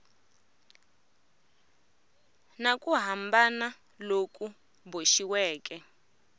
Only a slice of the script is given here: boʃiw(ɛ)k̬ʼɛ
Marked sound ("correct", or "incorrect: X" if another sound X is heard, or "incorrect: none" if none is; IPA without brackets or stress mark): incorrect: ɛː